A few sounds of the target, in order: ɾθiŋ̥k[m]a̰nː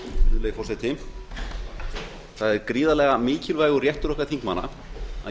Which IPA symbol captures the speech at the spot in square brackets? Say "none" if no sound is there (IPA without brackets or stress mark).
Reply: m